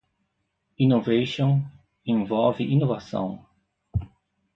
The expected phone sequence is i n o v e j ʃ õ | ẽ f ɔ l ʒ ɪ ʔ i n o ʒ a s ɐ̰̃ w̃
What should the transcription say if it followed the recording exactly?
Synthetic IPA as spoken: i n o v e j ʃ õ | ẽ v ɔ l v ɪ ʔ i n o v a s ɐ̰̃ w̃